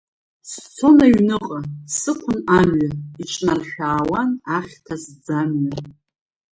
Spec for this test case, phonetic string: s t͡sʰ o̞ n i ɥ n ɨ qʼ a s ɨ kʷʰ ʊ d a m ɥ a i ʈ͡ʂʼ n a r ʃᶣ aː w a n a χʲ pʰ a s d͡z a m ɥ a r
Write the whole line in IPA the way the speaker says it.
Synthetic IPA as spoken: s t͡sʰ o̞ n a ɥ n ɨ qʼ a s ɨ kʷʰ ʊ n a m ɥ a i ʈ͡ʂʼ n a r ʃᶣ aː w a n a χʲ tʰ a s d͡z a m ɥ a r